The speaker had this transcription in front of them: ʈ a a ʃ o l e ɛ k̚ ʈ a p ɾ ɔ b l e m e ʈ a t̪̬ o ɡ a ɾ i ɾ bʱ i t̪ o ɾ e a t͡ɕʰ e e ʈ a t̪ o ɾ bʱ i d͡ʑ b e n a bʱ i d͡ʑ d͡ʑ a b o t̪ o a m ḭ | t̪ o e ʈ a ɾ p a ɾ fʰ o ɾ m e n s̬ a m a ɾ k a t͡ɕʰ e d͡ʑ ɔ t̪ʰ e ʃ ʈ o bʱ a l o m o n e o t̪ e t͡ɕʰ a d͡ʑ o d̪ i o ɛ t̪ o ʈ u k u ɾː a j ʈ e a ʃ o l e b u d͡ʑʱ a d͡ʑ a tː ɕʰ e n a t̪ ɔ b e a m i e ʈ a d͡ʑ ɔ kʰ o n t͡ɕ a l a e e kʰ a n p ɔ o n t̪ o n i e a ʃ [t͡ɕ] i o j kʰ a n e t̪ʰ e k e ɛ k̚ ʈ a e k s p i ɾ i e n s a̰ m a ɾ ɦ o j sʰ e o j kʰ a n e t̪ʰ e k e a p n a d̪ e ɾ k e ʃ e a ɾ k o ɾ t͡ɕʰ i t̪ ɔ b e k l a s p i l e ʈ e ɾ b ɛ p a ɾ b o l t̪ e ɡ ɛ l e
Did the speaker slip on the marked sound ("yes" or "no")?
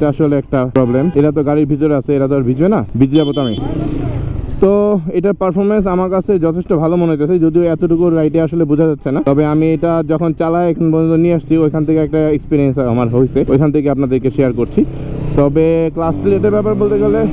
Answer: yes